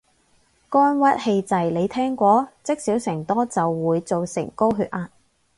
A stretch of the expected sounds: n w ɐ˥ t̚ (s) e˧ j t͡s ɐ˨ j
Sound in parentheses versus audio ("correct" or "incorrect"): incorrect